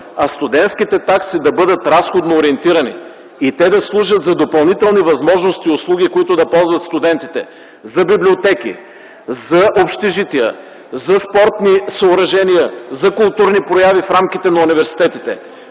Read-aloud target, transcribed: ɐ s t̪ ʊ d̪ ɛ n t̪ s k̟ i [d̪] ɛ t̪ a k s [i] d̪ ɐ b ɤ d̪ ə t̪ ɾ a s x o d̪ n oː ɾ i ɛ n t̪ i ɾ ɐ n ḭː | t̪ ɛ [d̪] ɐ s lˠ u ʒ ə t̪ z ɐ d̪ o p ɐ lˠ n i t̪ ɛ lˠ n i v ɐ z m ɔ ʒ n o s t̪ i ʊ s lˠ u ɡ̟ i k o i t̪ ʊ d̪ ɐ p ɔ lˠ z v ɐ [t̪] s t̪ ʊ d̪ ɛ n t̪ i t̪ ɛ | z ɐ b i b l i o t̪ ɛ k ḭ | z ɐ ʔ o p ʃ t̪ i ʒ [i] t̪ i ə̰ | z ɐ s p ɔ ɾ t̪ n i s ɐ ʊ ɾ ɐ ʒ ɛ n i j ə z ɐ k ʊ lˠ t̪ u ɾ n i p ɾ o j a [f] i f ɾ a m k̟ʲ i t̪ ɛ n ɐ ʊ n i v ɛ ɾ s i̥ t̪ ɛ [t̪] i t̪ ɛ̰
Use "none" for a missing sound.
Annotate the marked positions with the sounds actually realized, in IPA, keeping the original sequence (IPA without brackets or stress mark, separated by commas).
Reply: t̪, i, d̪, t̪, i, v, t̪